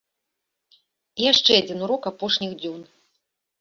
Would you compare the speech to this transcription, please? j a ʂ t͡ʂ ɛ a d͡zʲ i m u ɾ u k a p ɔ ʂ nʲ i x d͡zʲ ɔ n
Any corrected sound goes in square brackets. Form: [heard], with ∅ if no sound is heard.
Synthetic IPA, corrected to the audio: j a ʂ t͡ʂ ɛ a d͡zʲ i [n] u ɾ [ɔ] k a p ɔ ʂ nʲ i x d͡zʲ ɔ n